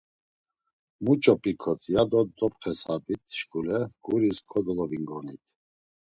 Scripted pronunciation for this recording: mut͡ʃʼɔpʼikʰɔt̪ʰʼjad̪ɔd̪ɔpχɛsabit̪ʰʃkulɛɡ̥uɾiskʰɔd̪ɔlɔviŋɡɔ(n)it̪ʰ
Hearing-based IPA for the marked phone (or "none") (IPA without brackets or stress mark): n